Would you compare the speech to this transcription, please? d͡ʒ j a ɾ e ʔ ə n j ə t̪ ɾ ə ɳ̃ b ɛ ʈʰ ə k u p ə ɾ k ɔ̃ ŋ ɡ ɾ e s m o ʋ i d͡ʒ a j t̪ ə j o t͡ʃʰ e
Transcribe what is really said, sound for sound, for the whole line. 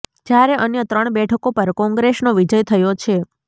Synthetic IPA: d͡ʒ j a ɾ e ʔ ə n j ə t̪ ɾ ə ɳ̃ b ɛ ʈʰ ə k o p ə ɾ k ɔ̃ ŋ ɡ ɾ e s n o ʋ i d͡ʒ ə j t̪ʰ ə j o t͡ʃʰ e